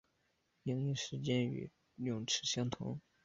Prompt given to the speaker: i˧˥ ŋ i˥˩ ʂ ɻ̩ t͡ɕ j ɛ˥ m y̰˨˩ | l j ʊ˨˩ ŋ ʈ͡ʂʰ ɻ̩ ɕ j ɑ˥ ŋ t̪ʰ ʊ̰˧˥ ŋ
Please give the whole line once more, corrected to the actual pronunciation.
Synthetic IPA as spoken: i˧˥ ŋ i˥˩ ʂ ɻ̩ t͡ɕ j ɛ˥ n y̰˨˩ | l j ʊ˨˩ ŋ ʈ͡ʂʰ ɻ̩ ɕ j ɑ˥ ŋ t̪ʰ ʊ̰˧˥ ŋ

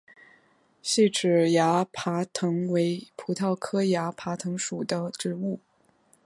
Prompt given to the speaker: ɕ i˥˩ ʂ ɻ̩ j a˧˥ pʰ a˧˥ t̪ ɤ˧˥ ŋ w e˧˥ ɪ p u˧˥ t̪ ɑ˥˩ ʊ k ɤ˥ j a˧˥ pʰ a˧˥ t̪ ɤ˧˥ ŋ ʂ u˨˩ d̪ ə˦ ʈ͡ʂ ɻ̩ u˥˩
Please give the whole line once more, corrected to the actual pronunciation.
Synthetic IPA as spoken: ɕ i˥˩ ʈ͡ʂ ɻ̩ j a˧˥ pʰ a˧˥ t̪ʰ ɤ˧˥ ŋ w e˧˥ ɪ pʰ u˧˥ t̪ʰ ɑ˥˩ ʊ kʰ ɤ˥ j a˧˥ pʰ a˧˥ t̪ʰ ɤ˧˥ ŋ ʂ u˨˩ d̪ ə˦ ʈ͡ʂ ɻ̩ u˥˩

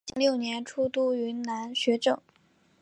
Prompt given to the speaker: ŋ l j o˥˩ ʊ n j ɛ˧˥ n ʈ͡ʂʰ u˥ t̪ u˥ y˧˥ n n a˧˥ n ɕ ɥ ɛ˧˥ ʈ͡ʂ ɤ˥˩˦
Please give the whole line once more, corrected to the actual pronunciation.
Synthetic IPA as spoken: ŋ l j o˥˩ ʊ n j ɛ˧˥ n ʈ͡ʂʰ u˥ t̪ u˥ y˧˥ n n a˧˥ n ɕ ɥ ɛ˧˥ ʈ͡ʂ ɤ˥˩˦

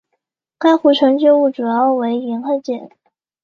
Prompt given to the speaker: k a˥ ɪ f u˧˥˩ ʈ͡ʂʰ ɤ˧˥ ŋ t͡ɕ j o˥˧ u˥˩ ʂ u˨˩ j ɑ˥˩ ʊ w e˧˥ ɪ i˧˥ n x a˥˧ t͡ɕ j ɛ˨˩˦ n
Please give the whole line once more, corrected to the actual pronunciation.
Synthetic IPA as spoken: k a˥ ɪ x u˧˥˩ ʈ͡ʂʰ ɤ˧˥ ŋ t͡ɕ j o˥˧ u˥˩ ʈ͡ʂ u˨˩ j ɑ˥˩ ʊ w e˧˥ ɪ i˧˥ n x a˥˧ t͡ɕ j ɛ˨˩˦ n

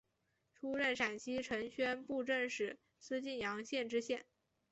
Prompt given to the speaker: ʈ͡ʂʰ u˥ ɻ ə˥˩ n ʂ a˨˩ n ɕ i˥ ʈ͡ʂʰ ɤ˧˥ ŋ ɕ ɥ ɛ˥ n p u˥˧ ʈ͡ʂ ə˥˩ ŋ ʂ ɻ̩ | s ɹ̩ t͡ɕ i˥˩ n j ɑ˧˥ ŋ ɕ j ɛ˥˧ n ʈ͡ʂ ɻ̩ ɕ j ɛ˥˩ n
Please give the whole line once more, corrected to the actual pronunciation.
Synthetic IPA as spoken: ʈ͡ʂʰ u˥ ɻ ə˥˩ n ʂ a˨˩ n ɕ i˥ ʈ͡ʂʰ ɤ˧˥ ŋ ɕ ɥ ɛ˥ n p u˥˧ ʈ͡ʂ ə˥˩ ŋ ʂ ɻ̩ | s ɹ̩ t͡ɕ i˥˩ n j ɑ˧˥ ŋ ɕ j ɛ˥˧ n ʈ͡ʂ ɻ̩ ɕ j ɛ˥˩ n

